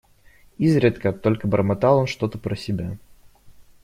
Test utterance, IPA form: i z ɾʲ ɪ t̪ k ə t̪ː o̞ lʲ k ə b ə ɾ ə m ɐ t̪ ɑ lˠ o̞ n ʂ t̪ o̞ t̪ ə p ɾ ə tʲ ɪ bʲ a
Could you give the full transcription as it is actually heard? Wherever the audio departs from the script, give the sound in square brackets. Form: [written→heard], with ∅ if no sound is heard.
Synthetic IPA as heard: i z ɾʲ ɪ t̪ k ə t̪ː o̞ lʲ k ə b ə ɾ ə m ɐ t̪ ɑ lˠ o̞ n ʂ t̪ o̞ t̪ ə p ɾ ə [tʲ→sʲ] ɪ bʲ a